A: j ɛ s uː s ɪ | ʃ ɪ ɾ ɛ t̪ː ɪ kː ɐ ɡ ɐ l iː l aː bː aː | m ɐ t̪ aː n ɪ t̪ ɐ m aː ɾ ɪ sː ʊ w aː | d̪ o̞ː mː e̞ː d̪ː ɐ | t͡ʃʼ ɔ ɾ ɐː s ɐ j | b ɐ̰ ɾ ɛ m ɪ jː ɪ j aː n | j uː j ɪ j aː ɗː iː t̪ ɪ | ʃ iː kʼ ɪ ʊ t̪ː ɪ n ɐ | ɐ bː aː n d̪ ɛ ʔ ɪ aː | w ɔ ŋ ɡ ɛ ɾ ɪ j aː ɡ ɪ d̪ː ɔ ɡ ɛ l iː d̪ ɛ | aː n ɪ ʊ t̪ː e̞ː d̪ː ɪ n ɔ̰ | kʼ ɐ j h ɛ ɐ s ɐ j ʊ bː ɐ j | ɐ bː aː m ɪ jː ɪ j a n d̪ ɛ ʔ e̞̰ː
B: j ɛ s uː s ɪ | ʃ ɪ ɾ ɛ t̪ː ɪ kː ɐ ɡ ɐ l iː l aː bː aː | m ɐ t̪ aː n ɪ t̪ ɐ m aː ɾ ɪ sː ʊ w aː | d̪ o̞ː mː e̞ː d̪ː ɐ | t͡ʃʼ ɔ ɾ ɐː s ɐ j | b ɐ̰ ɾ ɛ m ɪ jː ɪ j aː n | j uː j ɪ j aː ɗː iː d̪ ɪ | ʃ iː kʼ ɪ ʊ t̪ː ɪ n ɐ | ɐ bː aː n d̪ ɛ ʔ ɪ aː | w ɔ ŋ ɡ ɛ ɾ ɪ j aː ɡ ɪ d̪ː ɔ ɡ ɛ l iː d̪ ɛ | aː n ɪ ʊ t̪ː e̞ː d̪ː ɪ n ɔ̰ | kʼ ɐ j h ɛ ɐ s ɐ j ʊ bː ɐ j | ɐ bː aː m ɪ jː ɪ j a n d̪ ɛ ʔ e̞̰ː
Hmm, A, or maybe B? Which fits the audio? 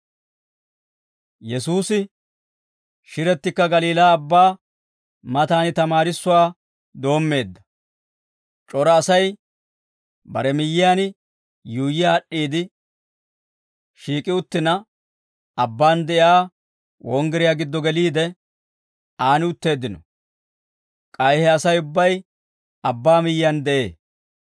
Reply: B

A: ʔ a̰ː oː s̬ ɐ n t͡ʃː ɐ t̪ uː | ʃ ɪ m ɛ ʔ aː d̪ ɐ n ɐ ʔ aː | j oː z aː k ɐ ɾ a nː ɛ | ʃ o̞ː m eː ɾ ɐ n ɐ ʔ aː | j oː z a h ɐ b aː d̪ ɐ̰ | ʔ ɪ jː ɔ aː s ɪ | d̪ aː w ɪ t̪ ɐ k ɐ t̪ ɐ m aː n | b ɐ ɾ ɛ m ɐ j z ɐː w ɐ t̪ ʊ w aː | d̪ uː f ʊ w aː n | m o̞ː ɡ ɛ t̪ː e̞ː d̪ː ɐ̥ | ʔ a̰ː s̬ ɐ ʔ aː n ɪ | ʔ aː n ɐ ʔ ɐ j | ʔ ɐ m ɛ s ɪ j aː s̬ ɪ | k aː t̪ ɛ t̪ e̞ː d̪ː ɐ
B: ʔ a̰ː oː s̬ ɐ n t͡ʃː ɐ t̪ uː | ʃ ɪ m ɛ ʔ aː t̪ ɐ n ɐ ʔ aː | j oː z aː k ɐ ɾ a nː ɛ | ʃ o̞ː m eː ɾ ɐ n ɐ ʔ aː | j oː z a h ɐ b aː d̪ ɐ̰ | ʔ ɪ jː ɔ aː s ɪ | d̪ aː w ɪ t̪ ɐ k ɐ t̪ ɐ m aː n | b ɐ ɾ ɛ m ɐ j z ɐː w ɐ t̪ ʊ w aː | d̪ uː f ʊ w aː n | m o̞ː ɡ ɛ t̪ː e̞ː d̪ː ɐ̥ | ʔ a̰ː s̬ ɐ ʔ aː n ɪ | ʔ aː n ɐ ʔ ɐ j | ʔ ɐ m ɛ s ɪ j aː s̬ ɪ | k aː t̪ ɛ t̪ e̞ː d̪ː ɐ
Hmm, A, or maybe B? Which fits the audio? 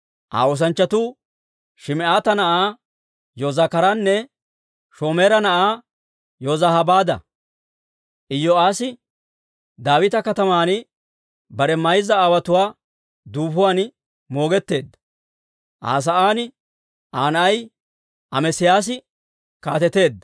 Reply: B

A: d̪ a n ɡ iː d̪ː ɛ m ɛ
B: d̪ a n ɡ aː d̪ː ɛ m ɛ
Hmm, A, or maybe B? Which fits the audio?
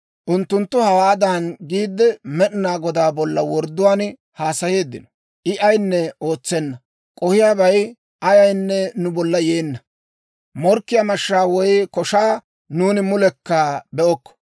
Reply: A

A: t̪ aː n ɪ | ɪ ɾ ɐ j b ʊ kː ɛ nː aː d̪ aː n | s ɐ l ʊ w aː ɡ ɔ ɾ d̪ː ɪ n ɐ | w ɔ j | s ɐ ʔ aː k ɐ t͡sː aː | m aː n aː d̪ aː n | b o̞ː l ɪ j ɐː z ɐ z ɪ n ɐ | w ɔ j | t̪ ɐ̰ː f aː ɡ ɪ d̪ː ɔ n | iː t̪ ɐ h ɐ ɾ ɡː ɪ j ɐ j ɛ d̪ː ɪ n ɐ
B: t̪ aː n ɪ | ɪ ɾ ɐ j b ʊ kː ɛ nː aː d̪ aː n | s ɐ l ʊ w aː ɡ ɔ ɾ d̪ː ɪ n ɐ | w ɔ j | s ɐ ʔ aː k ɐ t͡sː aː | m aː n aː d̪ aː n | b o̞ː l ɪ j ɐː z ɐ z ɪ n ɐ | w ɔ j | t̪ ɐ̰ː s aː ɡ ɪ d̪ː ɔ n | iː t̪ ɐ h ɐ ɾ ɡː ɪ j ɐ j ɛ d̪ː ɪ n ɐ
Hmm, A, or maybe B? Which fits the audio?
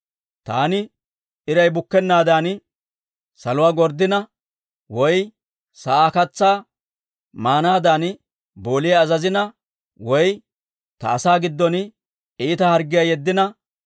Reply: B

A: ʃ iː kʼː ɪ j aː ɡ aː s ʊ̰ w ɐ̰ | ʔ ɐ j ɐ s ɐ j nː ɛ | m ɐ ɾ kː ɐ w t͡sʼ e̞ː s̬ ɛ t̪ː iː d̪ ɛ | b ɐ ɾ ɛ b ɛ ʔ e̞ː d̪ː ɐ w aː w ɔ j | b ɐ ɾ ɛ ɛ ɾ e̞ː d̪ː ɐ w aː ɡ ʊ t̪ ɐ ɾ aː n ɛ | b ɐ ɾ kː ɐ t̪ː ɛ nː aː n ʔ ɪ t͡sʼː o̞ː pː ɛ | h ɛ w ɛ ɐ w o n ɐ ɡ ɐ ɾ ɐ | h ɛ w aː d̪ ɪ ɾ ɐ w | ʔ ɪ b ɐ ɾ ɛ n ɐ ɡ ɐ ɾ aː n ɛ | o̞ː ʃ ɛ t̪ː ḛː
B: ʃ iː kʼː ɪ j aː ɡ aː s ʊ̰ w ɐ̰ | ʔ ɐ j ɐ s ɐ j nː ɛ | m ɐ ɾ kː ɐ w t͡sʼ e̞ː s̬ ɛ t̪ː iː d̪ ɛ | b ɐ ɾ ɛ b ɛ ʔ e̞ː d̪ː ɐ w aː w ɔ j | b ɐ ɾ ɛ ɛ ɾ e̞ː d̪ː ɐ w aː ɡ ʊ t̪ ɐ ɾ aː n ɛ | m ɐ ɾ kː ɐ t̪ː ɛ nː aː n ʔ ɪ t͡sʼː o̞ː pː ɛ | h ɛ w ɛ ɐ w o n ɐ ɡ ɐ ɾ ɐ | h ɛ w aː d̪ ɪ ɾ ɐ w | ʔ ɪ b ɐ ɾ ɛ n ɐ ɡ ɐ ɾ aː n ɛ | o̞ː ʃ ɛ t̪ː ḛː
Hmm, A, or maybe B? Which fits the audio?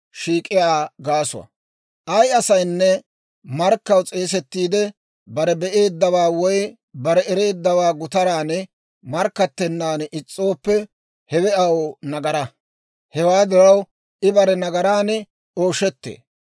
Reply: B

